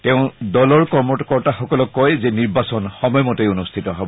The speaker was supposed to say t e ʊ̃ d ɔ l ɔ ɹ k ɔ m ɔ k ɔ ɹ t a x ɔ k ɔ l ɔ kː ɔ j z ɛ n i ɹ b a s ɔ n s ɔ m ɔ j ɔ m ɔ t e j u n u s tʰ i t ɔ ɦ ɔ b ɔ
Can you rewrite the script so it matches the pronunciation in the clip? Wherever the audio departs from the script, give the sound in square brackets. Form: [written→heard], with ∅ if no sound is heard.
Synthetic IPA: t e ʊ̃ d ɔ l ɔ ɹ k ɔ m ɔ k ɔ ɹ t a x ɔ k ɔ l ɔ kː ɔ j z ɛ n i ɹ b a s ɔ n [s→x] ɔ m ɔ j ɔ m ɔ t e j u n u s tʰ i t ɔ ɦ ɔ b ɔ